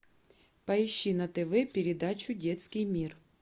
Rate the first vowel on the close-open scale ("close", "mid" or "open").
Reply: open